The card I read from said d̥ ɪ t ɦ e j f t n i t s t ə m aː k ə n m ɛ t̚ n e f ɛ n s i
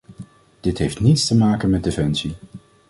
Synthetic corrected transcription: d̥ ɪ t ɦ e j f t n i t s t ə m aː k ə n m ɛ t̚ d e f ɛ n s i